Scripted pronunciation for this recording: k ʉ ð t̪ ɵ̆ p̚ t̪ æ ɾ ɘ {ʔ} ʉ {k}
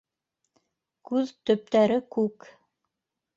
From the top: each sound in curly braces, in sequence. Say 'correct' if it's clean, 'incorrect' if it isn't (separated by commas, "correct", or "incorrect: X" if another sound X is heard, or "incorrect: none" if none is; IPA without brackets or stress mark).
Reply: incorrect: k, correct